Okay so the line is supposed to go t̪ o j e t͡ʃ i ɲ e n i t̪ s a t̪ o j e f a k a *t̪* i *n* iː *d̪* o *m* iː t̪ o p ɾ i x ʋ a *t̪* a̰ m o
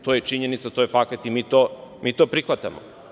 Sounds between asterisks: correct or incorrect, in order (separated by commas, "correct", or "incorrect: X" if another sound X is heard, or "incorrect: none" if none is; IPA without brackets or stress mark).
correct, incorrect: m, incorrect: t̪, correct, correct